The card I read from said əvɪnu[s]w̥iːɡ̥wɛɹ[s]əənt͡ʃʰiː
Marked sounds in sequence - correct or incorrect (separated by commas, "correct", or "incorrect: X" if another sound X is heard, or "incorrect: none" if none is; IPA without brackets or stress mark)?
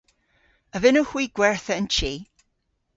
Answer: incorrect: h, incorrect: θ